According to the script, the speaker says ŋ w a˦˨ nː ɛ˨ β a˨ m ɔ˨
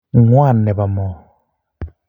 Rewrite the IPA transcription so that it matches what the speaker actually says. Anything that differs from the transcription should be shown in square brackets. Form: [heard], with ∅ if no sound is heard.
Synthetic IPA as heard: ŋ w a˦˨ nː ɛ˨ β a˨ m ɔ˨